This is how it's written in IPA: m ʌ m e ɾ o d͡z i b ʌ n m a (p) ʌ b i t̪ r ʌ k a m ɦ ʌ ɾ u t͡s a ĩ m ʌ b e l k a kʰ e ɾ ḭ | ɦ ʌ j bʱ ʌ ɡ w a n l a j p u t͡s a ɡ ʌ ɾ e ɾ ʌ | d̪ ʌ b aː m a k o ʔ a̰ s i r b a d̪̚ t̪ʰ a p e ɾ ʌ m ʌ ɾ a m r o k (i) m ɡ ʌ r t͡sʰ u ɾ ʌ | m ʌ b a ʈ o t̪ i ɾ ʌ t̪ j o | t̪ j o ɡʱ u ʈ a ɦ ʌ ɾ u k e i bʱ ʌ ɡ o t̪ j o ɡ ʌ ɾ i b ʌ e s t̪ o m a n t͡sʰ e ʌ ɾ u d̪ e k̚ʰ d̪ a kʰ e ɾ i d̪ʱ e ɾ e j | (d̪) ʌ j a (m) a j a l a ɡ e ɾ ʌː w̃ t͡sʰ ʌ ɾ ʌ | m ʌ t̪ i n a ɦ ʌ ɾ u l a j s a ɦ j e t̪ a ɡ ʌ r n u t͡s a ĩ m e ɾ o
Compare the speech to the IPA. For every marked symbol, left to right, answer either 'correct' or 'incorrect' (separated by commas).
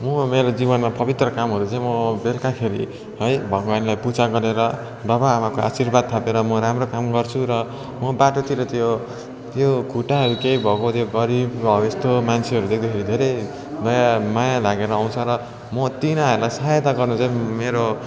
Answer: correct, incorrect, correct, correct